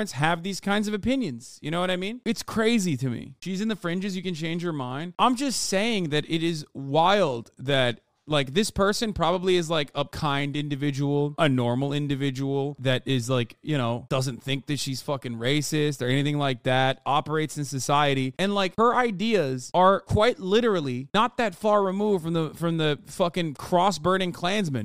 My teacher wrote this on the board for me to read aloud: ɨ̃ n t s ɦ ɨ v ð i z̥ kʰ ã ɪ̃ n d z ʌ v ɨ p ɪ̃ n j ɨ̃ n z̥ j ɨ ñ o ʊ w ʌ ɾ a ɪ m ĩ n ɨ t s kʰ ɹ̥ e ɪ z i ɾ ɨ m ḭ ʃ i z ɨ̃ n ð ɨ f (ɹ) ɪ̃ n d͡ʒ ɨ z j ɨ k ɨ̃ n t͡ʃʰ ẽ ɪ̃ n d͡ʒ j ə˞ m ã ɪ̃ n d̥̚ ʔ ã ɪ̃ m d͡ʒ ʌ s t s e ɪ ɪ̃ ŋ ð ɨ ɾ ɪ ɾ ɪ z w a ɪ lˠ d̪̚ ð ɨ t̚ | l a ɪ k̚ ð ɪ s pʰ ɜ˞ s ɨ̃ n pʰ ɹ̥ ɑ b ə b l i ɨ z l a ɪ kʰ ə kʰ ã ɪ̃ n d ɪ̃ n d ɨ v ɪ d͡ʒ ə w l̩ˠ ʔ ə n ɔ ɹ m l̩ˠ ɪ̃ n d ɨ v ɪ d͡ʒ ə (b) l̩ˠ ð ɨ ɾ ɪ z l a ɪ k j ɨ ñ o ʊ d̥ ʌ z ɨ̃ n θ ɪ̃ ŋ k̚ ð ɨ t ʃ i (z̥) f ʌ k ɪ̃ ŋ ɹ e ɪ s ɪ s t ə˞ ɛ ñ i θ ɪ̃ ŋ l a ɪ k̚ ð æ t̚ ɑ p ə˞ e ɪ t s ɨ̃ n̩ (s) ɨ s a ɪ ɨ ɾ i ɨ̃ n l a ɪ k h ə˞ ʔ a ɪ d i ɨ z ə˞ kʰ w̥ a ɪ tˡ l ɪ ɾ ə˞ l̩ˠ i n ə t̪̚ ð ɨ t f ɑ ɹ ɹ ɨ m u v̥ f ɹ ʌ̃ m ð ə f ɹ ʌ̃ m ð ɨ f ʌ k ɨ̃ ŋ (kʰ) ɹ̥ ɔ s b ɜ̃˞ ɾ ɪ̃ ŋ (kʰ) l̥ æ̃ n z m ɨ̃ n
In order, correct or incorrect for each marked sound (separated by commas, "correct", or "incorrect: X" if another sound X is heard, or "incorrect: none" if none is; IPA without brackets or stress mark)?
correct, incorrect: w, correct, correct, correct, correct